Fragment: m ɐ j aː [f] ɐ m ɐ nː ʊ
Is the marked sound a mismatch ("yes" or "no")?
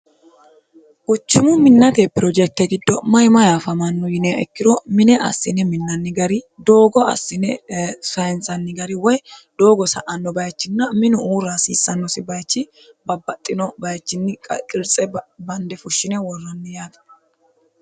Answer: no